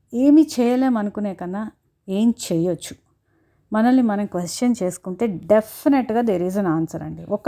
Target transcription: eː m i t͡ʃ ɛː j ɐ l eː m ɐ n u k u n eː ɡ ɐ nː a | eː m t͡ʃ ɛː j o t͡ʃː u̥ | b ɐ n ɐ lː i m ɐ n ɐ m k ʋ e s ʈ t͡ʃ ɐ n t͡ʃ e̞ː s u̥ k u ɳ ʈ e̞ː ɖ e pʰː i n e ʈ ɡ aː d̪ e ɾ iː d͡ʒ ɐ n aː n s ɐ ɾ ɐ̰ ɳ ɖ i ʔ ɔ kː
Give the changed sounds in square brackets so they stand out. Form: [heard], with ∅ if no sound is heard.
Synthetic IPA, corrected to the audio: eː m i t͡ʃ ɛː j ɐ l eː m ɐ n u k u n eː [k] ɐ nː a | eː m t͡ʃ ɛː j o t͡ʃː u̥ | [m] ɐ n ɐ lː i m ɐ n ɐ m k ʋ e s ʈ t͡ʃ ɐ n t͡ʃ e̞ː s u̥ k u ɳ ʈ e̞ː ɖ e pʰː i n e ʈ ɡ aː d̪ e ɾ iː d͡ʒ ɐ n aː n s ɐ ɾ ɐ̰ ɳ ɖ i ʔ ɔ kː